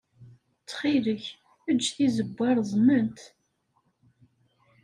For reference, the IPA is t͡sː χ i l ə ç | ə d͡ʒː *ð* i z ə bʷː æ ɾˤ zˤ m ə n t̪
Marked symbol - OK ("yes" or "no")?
no